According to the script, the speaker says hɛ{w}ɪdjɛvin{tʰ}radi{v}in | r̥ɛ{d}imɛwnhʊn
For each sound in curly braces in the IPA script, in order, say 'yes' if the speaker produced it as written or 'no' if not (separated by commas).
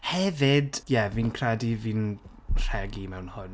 no, no, yes, no